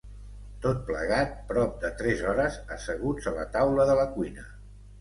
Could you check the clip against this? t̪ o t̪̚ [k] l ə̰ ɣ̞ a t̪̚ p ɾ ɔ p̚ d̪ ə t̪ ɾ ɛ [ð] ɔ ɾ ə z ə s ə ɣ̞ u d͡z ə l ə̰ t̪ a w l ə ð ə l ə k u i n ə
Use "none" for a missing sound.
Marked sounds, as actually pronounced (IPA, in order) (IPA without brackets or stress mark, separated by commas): p, z